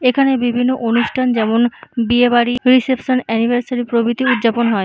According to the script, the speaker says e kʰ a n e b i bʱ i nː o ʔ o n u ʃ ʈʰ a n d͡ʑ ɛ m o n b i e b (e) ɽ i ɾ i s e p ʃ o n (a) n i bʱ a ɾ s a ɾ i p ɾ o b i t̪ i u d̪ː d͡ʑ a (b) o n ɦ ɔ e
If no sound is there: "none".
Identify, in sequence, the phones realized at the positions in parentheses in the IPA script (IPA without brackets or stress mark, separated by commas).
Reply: a, ɛ, p